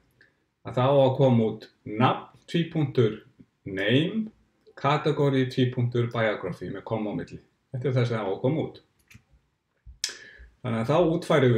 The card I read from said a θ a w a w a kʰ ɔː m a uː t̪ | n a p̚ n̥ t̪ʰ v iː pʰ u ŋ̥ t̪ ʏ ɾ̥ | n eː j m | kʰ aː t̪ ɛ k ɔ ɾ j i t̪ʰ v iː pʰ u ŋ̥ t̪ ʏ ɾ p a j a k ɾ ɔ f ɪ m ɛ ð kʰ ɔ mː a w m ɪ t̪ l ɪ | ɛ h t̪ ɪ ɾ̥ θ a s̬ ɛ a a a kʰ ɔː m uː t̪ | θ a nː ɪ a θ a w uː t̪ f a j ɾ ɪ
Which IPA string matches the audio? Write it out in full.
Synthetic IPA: a θ a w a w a kʰ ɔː m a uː t̪ | n a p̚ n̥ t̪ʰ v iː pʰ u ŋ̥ t̪ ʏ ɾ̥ | n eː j m | kʰ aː t̪ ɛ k ɔ ɾ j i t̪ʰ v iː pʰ u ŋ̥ t̪ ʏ ɾ p a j a k ɾ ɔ f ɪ m ɛ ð kʰ ɔ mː a w m ɪ t̪ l ɪ | ɛ h t̪ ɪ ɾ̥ θ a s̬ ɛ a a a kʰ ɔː m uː t̪ | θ a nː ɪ a θ a w uː t̪ f a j ɾ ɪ